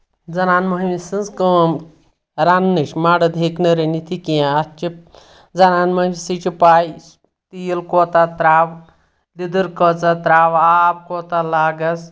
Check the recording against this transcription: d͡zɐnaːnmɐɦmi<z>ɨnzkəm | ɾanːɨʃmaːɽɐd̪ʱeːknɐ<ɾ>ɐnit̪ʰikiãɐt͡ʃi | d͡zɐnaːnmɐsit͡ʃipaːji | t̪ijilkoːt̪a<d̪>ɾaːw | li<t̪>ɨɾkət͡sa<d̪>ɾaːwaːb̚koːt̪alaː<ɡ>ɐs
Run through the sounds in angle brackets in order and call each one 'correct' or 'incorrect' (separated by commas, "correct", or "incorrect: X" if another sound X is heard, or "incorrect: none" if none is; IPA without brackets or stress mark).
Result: incorrect: s, correct, incorrect: t̪, incorrect: d̪, incorrect: t̪, correct